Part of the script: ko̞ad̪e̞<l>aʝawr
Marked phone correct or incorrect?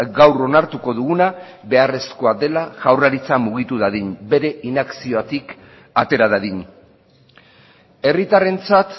correct